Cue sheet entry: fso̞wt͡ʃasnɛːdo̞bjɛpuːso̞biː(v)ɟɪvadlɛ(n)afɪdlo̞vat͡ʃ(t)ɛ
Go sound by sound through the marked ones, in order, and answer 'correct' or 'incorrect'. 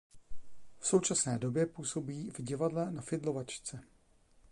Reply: correct, correct, incorrect: t͡s

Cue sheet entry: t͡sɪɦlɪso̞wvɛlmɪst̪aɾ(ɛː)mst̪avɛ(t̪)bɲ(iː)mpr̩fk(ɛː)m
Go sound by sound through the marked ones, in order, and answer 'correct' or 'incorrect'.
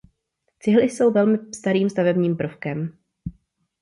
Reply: incorrect: iː, incorrect: none, correct, incorrect: ɛ

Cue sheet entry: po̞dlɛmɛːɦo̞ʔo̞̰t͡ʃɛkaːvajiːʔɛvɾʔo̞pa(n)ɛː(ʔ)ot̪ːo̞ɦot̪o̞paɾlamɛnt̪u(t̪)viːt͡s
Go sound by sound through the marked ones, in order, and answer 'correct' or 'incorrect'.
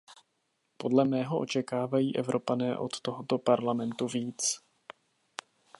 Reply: correct, correct, incorrect: none

